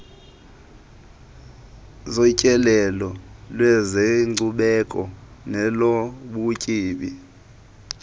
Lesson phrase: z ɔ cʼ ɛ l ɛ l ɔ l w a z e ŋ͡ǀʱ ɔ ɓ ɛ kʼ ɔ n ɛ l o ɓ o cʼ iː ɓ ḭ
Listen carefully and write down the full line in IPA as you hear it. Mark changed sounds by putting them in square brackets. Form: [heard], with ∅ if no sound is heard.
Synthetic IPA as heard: z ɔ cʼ ɛ l ɛ l ɔ l w [ɛ] z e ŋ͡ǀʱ [u] ɓ ɛ kʼ ɔ n ɛ l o ɓ [u] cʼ iː ɓ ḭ